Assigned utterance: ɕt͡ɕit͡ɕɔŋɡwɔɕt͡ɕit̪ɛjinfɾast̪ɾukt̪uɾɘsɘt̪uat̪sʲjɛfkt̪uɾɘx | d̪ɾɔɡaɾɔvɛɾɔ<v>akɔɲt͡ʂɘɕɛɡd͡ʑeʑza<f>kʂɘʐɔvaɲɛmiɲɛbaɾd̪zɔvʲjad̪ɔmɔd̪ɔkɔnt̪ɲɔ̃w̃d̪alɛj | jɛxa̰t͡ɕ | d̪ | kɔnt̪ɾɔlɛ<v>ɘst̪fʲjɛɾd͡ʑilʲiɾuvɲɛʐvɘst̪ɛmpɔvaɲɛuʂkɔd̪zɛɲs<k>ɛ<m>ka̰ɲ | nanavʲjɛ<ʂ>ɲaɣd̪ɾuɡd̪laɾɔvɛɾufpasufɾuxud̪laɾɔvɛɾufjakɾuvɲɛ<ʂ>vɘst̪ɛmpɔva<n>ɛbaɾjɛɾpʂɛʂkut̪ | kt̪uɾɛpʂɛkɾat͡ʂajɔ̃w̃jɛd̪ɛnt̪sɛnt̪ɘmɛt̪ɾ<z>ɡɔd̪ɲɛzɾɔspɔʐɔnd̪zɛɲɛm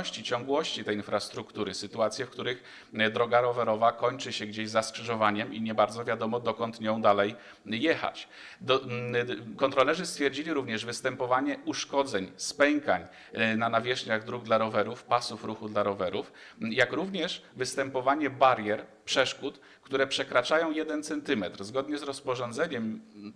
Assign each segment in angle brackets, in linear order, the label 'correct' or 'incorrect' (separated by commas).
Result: correct, incorrect, incorrect, incorrect, incorrect, correct, correct, incorrect, correct